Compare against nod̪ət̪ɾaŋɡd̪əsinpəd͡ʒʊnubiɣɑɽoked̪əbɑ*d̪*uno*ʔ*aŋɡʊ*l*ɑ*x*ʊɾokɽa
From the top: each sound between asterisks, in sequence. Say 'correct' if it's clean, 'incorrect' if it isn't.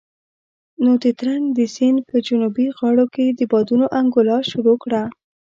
correct, correct, correct, incorrect

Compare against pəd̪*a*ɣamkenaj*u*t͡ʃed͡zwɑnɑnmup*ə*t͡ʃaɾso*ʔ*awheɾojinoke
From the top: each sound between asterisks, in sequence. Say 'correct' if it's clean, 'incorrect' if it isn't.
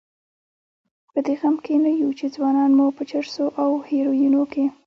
incorrect, correct, correct, correct

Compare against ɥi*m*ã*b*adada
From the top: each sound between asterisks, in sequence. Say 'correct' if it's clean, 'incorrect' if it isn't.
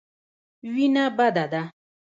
incorrect, correct

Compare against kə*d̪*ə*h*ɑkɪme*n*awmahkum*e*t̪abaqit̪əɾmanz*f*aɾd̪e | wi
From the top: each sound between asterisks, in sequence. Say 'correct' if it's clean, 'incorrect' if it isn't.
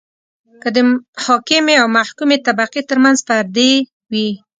correct, correct, incorrect, correct, correct

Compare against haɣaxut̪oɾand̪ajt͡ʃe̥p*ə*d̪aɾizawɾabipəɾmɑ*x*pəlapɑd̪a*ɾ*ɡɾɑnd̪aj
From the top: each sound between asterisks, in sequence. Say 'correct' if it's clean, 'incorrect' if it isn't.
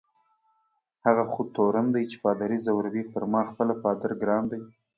incorrect, correct, correct

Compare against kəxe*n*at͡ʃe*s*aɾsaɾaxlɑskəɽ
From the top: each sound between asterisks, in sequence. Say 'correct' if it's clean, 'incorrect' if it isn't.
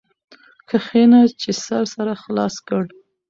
correct, correct

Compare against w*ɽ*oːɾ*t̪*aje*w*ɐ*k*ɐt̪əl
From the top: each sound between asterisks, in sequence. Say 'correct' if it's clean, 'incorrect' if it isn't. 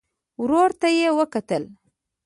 incorrect, correct, correct, correct

